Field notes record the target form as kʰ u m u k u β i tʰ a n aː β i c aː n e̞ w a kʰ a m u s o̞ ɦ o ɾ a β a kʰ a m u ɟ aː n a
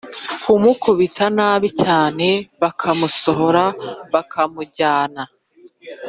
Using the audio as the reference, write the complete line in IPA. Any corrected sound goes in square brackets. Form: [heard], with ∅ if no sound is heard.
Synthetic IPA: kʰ u m u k u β i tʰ a n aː β i c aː n e̞ [β] a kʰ a m u s o̞ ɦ o ɾ a β a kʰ a m u ɟ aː n a